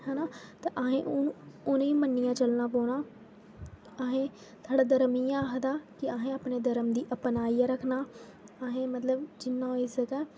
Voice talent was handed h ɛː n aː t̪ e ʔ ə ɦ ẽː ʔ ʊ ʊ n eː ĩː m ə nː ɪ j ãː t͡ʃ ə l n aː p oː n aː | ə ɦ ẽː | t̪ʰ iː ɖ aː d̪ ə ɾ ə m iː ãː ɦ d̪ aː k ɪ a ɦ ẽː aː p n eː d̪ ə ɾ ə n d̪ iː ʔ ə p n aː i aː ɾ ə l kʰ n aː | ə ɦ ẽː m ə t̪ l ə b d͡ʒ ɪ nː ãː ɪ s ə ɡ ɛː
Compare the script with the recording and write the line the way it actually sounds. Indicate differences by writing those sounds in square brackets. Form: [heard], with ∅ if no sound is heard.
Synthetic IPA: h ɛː n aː t̪ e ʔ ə ɦ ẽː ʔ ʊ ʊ n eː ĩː m ə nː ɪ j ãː t͡ʃ ə l n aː p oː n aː | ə ɦ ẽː | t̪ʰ [aː] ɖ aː d̪ ə ɾ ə m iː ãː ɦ d̪ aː k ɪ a ɦ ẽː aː p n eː d̪ ə ɾ ə [m] d̪ iː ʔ ə p n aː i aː ɾ ə [∅] kʰ n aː | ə ɦ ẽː m ə t̪ l ə b d͡ʒ ɪ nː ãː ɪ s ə ɡ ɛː